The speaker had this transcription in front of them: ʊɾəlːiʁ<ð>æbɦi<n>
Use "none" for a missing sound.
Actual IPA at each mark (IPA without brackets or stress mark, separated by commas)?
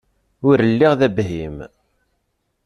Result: ð, m